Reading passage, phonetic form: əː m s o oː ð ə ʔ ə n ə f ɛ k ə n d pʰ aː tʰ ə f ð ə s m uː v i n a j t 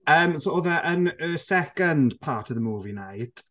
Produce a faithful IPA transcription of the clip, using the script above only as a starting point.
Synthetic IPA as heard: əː m s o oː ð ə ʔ ə n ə s ɛ k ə n d pʰ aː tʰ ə v ð ə m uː v i n a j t